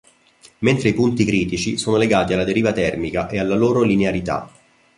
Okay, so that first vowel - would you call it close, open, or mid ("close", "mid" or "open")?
mid